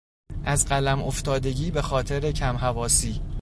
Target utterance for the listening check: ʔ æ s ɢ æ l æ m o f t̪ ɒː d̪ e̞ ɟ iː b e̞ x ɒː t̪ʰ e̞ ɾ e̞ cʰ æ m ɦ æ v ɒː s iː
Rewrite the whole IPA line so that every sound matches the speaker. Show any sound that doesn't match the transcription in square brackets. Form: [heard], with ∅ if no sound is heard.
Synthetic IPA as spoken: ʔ æ [z] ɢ æ l æ m o f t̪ ɒː d̪ e̞ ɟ iː b e̞ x ɒː t̪ʰ e̞ ɾ e̞ cʰ æ m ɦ æ v ɒː s iː